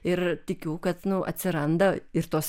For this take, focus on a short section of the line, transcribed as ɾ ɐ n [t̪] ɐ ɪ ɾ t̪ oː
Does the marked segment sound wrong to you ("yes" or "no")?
yes